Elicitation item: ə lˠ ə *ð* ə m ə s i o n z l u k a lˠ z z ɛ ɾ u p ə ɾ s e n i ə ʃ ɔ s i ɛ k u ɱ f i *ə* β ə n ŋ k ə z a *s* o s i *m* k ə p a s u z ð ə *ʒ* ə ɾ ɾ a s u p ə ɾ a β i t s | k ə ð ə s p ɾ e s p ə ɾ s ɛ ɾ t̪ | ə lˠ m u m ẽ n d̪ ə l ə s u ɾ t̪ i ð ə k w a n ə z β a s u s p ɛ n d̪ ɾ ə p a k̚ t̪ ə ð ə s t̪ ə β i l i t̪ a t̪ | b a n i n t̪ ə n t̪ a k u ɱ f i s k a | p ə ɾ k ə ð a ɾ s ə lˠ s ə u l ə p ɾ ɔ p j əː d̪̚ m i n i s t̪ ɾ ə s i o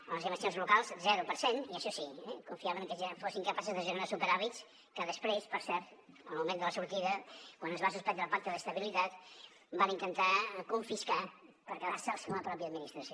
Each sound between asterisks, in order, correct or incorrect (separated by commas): incorrect, incorrect, incorrect, incorrect, correct